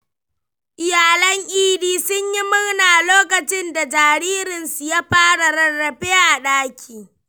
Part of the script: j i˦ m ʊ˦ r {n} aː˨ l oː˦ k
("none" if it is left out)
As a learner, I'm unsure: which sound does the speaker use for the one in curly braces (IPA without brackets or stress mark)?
n